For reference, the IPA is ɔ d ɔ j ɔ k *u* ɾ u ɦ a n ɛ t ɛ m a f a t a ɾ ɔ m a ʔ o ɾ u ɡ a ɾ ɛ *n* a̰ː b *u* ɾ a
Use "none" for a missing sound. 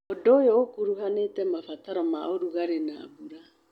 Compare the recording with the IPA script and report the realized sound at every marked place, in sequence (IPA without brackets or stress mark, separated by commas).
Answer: u, n, u